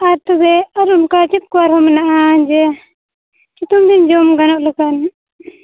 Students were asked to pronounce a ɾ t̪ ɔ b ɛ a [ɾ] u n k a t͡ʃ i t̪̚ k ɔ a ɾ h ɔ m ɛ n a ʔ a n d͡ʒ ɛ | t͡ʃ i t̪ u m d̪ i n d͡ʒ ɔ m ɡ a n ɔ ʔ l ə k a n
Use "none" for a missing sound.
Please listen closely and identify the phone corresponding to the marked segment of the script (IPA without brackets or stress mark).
ɾ